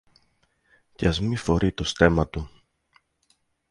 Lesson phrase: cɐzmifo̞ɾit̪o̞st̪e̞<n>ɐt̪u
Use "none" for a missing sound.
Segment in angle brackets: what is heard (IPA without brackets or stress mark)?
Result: m